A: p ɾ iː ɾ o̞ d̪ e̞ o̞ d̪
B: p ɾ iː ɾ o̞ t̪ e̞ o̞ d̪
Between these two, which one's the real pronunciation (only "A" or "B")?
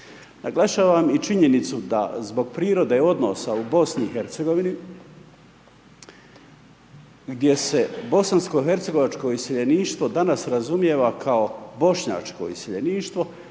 A